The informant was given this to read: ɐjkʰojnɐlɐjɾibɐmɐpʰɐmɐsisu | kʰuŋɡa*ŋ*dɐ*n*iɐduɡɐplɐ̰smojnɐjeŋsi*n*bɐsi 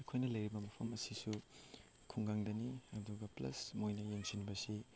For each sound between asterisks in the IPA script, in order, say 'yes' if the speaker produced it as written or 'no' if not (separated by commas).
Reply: yes, yes, yes